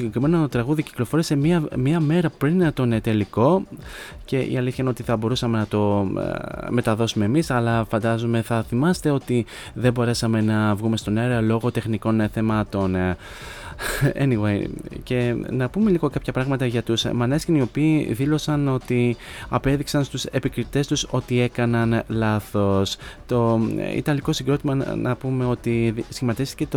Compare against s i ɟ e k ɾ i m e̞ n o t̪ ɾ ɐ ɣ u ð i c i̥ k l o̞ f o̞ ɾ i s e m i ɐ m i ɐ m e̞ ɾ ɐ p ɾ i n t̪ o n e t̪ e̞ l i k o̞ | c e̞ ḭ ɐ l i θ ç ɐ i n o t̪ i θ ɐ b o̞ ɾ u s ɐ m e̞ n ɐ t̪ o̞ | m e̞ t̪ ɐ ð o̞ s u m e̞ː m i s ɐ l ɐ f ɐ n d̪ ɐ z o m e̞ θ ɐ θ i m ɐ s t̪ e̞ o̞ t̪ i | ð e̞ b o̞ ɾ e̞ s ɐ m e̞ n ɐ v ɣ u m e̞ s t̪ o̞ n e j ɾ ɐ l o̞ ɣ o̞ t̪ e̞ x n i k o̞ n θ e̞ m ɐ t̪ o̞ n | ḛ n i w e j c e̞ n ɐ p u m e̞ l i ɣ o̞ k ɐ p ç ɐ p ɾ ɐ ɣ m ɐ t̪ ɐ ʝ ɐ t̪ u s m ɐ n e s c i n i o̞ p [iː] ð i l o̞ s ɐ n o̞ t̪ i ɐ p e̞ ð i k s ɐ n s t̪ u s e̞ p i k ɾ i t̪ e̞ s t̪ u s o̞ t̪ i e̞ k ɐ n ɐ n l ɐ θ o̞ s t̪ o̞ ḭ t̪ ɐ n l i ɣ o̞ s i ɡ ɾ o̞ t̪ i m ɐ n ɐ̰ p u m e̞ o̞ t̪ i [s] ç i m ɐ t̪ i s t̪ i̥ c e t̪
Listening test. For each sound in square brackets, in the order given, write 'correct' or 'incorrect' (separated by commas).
correct, correct